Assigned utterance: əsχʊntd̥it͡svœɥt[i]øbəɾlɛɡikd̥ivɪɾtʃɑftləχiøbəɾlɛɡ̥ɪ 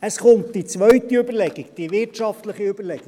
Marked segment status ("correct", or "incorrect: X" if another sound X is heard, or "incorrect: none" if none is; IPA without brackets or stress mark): correct